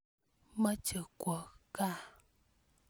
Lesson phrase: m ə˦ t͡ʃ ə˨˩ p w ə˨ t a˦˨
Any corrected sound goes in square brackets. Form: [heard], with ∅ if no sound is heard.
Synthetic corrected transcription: m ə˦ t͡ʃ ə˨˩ [k] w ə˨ [k] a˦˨